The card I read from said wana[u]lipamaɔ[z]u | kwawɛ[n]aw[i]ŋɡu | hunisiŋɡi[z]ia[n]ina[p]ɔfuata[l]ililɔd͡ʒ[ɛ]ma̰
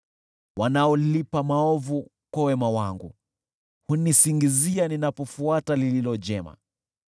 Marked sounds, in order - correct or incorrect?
incorrect: ɔ, incorrect: v, incorrect: m, incorrect: a, correct, correct, correct, correct, correct

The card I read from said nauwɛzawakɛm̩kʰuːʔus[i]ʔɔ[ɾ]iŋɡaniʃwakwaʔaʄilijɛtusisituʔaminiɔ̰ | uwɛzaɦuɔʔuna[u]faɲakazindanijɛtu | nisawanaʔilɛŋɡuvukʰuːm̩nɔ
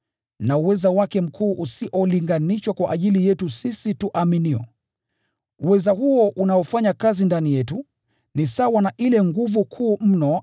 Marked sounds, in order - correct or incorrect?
correct, incorrect: l, incorrect: ɔ

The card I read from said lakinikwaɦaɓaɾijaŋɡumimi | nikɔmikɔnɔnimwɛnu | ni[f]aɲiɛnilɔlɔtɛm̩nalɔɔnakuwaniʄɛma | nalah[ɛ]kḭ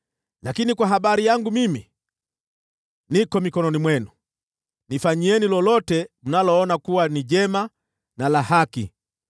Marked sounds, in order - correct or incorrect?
correct, incorrect: a

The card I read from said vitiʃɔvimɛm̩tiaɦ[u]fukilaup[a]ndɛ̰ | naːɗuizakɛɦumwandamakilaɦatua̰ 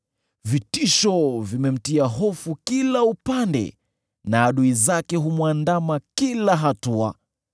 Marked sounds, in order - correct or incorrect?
incorrect: ɔ, correct

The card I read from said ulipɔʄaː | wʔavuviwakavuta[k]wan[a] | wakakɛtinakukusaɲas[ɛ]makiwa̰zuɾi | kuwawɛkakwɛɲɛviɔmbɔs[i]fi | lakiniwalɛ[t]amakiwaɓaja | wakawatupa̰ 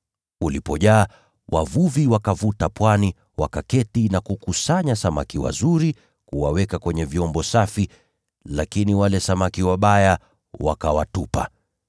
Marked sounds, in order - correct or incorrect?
incorrect: p, incorrect: i, incorrect: a, incorrect: a, incorrect: s

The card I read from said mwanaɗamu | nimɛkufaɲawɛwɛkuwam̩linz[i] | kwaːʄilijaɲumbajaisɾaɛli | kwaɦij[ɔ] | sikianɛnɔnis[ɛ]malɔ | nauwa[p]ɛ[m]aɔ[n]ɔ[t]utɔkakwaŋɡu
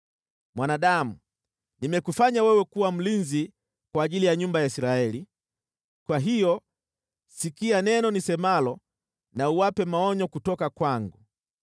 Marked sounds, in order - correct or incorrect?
correct, correct, correct, correct, correct, incorrect: ɲ, incorrect: k

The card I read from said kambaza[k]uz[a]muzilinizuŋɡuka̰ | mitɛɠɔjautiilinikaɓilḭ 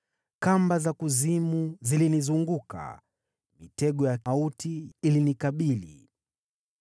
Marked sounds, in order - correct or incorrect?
correct, incorrect: i

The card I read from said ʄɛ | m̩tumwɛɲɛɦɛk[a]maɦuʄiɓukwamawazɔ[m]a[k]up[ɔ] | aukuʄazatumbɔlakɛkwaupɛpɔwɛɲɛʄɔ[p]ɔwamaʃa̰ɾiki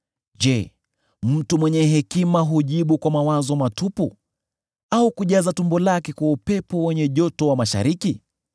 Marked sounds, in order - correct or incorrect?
incorrect: i, correct, incorrect: t, incorrect: u, incorrect: t

